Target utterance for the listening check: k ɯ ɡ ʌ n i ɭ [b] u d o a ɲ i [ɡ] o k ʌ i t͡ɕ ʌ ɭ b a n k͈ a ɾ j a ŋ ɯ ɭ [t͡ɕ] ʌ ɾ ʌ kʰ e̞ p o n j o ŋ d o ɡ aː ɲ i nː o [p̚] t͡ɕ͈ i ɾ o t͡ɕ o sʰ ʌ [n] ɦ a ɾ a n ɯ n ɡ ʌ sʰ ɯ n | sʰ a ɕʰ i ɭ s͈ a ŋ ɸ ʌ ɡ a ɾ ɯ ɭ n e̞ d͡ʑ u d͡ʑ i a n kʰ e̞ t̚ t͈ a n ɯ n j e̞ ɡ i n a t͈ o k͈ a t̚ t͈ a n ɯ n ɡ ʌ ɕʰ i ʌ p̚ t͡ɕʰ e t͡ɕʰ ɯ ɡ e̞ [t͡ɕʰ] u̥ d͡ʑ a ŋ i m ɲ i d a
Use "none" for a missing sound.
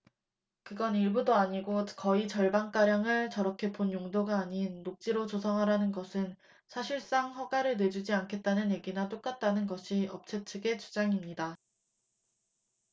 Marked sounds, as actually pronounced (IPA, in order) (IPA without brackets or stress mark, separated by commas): b, ɡ, t͡ɕ, k̚, ŋ, t͡ɕ